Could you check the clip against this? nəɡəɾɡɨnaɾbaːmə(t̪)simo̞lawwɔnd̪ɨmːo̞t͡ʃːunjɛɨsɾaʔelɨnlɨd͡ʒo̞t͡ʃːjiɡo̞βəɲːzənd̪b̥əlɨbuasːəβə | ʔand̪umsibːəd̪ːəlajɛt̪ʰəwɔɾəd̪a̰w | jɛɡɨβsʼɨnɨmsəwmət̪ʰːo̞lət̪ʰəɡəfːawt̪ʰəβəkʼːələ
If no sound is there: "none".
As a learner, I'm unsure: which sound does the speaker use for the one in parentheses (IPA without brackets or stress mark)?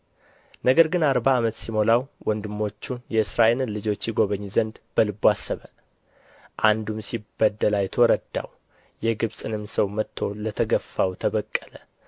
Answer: t̪